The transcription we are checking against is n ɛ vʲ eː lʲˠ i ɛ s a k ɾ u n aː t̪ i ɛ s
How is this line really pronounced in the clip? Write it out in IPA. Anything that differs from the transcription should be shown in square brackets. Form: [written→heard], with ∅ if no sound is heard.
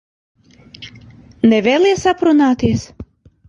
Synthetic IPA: n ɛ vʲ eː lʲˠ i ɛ s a [k→p] ɾ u n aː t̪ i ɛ s

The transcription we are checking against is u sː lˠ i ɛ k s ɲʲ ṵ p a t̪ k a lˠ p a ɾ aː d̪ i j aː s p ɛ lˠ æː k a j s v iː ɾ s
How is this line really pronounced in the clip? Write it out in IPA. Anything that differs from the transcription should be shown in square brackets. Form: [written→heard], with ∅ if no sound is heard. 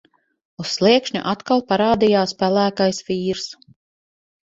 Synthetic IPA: u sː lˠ i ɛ k [s→ʃ] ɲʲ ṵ [p→ʔ] a t̪ k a lˠ p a ɾ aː d̪ i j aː s p [ɛ→æ] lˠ æː k a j s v iː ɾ s

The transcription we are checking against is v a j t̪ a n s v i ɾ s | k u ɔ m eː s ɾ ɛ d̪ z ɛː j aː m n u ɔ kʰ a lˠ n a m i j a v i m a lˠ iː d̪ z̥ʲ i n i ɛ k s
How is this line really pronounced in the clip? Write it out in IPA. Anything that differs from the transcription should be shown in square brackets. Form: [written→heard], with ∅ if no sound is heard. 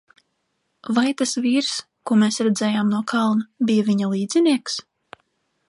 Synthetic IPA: v a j t̪ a [n→∅] s v [i→iː] ɾ s | k u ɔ m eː s ɾ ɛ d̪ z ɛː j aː m n u ɔ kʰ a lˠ n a [m→b] i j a v i [m→ɲ] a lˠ iː d̪ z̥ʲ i n i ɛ k s

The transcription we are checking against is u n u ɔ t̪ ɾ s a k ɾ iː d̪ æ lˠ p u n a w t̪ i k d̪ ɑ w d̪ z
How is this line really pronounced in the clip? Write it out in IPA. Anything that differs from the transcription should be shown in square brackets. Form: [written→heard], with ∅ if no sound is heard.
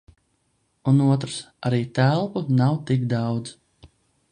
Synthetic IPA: u n u ɔ t̪ ɾ s a [k→∅] ɾ iː [d̪→t̪] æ lˠ p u n a w t̪ i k d̪ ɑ w d̪ z

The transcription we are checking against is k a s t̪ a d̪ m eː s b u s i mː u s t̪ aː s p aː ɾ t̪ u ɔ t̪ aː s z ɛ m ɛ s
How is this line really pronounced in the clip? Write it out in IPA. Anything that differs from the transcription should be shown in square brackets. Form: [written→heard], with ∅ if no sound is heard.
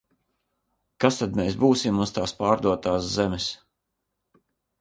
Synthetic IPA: k a s t̪ a d̪ m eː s b [u→uː] s i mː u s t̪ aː s p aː ɾ [t̪→d̪] u ɔ t̪ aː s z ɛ m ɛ s

